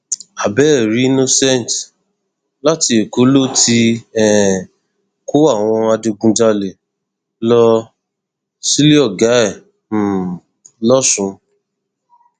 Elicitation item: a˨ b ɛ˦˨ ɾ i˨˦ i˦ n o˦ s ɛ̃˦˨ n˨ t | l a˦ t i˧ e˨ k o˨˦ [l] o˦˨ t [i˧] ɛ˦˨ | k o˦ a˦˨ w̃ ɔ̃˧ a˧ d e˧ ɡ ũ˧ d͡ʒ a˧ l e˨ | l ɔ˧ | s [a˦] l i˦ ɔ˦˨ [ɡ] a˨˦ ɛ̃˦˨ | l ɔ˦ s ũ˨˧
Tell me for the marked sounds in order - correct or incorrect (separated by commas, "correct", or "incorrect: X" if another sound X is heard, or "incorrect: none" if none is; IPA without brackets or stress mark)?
correct, correct, incorrect: i˦, correct